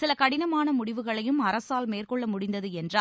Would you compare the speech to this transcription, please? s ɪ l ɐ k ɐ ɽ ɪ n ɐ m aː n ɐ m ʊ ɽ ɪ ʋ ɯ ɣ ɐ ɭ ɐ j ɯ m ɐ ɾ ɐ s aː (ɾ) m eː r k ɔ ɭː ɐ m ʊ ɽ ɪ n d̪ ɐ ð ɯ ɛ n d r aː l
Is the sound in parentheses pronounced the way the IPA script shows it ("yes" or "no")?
no